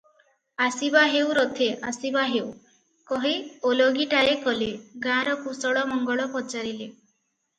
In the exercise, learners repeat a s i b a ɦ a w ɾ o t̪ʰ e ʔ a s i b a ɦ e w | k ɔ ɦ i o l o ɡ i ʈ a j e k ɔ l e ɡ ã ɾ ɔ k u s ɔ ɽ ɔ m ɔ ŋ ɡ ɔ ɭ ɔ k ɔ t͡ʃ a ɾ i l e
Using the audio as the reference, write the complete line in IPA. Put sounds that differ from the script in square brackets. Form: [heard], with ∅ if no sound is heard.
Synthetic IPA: a s i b a ɦ [e] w ɾ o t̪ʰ e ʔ a s i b a ɦ e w | k ɔ ɦ i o l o ɡ i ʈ a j e k ɔ l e ɡ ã ɾ ɔ k u s ɔ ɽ ɔ m ɔ ŋ ɡ ɔ ɭ ɔ [p] ɔ t͡ʃ a ɾ i l e